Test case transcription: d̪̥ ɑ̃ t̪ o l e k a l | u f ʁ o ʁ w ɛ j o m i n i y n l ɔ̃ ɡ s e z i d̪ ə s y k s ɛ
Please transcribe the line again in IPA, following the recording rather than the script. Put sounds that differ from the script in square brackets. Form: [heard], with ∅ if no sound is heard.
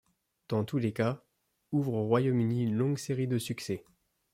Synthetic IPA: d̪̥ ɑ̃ t̪ [u] l e k a [∅] | u [v] ʁ o ʁ w [a] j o m [y] n i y n l ɔ̃ ɡ s e [ʁ] i d̪ ə s y k s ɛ